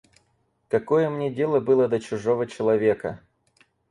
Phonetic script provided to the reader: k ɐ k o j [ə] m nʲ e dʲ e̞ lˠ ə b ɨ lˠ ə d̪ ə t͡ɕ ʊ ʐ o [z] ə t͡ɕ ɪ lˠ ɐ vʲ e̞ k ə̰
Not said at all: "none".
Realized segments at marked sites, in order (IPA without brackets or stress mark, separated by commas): ə, v